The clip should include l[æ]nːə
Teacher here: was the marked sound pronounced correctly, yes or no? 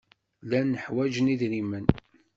yes